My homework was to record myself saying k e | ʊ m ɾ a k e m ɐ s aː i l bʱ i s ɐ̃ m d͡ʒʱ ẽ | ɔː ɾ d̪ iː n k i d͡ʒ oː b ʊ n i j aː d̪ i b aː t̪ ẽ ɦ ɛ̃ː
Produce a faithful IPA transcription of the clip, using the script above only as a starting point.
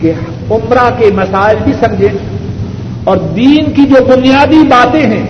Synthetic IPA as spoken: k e | ʊ m ɾ a k e m ɐ s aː ɪ l bʱ i s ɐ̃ m d͡ʒʱ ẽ | ɔː ɾ d̪ iː n k i d͡ʒ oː b ʊ n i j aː d̪ i b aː t̪ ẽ ɦ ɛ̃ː